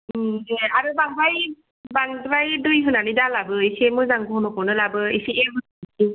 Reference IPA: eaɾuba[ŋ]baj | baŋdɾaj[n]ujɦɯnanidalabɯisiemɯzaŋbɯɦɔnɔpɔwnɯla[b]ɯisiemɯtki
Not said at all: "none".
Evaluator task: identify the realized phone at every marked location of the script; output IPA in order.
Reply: ŋ, d, b

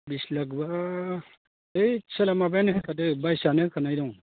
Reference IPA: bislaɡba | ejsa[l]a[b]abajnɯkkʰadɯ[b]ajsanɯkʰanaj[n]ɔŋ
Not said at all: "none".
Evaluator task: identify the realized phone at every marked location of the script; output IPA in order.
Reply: l, m, b, d

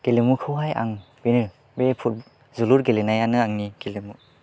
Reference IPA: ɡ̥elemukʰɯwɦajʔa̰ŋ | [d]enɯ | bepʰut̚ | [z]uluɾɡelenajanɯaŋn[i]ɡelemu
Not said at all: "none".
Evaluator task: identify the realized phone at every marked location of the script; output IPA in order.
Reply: b, z, i

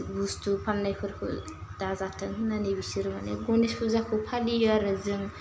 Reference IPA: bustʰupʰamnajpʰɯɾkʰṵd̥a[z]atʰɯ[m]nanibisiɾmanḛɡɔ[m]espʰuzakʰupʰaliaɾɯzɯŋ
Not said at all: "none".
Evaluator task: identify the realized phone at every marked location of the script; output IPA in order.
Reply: z, ŋ, n

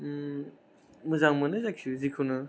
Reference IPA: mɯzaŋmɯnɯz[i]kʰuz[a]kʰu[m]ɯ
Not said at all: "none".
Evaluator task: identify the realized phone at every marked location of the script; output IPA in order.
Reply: a, i, n

